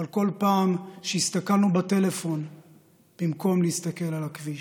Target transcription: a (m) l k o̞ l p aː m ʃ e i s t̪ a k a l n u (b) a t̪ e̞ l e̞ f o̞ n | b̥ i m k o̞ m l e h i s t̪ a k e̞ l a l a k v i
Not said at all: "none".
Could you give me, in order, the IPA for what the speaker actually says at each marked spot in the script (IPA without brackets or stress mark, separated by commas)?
none, b